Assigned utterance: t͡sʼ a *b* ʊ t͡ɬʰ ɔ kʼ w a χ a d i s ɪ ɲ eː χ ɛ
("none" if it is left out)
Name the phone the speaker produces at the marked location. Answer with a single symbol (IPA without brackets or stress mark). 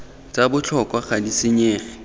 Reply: b